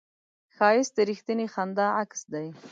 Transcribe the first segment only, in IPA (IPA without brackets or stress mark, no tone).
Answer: x